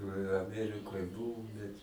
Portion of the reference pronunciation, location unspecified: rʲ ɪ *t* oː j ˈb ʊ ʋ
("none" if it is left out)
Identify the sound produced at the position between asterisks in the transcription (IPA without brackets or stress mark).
k